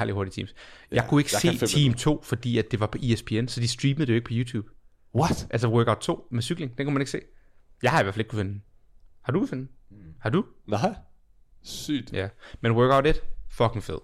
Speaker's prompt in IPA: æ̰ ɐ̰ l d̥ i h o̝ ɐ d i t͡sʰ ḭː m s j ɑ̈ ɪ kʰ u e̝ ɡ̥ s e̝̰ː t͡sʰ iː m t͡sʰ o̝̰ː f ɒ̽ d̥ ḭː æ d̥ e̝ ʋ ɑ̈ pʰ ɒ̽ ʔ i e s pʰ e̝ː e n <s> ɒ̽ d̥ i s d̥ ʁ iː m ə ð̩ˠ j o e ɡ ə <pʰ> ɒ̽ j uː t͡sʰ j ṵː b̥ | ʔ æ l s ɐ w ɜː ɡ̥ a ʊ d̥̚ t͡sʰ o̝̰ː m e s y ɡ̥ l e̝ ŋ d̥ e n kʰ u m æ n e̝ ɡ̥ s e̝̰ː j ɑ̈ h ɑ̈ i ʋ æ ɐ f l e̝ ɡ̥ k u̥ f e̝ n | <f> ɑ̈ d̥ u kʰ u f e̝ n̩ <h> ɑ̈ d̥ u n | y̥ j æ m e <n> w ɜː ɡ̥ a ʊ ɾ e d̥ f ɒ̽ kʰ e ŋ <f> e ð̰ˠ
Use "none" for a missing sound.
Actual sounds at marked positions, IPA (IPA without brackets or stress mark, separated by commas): s, pʰ, h, h, n, f